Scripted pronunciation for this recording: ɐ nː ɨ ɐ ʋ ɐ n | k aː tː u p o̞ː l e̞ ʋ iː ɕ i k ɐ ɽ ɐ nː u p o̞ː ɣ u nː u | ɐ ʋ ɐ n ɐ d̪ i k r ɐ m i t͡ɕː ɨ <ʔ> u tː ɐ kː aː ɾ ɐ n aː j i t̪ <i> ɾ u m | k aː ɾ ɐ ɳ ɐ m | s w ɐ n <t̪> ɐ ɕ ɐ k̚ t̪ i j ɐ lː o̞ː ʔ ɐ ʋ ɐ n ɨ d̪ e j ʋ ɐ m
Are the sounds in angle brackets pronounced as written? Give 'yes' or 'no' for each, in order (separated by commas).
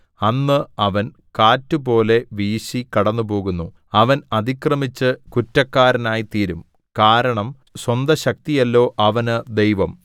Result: no, no, no